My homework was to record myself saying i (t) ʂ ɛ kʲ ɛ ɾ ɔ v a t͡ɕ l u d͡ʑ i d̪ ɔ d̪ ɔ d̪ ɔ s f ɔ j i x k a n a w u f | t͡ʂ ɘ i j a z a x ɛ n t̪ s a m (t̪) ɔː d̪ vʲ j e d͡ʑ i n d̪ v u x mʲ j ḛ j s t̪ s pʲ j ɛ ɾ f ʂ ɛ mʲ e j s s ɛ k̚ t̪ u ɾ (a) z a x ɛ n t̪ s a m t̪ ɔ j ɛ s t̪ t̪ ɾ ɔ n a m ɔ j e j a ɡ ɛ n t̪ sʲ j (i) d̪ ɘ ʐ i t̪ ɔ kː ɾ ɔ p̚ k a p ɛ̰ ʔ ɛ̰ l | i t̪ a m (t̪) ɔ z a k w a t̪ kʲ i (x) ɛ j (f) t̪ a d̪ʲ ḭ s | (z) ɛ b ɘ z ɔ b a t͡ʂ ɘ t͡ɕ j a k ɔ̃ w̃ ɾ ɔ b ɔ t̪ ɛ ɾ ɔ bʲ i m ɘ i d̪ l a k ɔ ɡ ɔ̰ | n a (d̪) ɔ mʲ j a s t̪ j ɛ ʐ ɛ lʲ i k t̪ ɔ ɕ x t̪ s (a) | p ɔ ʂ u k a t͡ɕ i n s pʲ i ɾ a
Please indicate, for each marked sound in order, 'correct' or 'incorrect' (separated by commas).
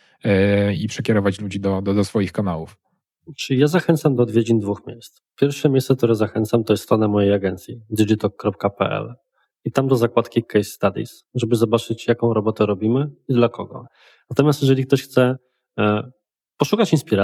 incorrect, incorrect, incorrect, correct, incorrect, incorrect, incorrect, incorrect, incorrect, incorrect